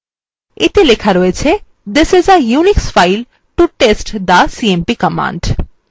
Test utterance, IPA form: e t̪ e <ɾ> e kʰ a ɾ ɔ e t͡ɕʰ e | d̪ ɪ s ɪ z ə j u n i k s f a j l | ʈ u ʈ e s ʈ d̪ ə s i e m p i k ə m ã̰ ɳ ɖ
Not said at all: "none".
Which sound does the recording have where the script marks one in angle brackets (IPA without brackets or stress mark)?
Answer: l